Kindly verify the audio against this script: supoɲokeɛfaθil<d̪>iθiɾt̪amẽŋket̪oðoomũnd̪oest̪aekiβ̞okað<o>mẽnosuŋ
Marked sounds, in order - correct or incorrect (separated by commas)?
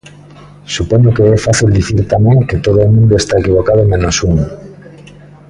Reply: correct, correct